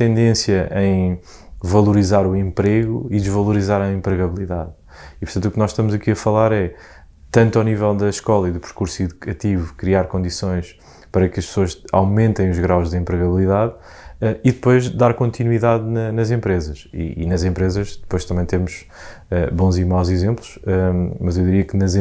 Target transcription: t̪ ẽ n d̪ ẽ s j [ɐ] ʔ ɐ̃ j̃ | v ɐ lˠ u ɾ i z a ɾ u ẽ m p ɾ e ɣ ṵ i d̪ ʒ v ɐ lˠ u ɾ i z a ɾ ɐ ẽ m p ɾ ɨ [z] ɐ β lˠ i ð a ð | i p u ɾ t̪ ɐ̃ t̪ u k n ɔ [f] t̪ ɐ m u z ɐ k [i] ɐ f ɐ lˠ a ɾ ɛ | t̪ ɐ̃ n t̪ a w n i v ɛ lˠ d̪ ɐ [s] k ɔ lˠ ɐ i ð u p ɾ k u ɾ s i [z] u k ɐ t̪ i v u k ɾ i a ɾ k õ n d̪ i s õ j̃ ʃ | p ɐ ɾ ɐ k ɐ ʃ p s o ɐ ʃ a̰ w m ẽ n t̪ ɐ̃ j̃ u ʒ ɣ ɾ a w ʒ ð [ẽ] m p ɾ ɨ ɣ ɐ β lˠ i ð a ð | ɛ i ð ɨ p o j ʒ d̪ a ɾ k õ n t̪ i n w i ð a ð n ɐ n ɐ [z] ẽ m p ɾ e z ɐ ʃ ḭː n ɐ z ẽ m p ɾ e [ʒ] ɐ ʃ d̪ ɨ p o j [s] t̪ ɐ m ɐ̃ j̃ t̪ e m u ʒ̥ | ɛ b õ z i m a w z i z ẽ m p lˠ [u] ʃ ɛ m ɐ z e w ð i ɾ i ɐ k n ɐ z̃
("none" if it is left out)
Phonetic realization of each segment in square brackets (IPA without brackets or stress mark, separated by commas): ɐ, ɣ, ʃ, i, ʃ, ð, ẽ, z, z, ʃ, u